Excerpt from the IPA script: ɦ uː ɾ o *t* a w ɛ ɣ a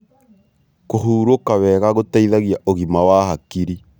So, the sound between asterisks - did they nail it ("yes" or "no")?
no